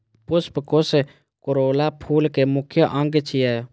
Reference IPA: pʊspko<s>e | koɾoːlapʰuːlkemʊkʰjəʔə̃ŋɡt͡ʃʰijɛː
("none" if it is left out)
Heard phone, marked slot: s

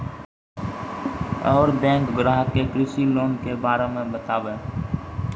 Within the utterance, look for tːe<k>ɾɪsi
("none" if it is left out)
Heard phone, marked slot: k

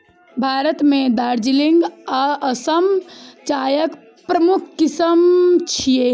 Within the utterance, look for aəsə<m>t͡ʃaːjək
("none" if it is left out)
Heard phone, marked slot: m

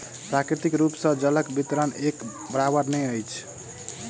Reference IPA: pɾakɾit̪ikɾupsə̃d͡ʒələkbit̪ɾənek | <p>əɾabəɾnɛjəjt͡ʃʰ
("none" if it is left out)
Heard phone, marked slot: b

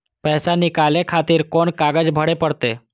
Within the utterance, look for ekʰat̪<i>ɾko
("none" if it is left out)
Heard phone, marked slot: iː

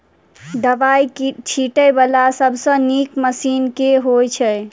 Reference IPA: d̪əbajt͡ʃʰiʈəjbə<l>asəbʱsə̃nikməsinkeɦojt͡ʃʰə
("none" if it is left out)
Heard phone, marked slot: l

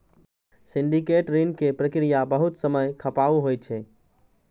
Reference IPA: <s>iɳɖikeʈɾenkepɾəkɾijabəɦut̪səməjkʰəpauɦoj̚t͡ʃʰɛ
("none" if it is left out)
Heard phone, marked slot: s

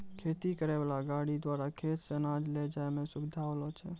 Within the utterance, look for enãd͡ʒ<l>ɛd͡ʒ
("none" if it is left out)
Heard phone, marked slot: l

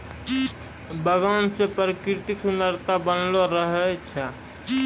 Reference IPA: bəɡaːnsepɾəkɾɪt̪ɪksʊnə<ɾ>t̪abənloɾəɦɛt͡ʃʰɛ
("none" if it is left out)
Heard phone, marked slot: ɾ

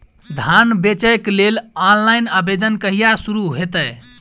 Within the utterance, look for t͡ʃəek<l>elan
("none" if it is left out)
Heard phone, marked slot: l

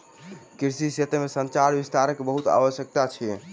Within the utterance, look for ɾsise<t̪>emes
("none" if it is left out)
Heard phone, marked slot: t̪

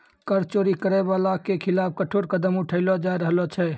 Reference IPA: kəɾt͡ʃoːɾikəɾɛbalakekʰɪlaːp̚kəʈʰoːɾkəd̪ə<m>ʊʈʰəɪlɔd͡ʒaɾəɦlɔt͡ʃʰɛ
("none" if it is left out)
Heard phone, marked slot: m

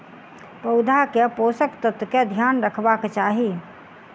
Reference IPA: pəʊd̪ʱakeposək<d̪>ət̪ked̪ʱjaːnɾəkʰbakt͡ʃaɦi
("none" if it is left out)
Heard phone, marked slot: t̪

